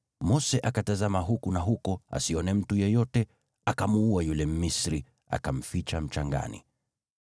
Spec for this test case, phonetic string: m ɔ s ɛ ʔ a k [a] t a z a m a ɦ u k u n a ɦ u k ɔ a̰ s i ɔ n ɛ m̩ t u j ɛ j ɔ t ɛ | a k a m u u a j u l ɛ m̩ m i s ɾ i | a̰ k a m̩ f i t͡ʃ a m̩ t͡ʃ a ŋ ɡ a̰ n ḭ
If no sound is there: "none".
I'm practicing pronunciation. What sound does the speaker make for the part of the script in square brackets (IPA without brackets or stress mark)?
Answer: a